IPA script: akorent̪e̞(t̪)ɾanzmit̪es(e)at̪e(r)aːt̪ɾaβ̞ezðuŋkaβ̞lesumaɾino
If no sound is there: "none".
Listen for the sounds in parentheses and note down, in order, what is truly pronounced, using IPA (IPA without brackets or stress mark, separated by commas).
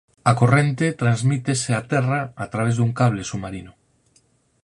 t̪, e, r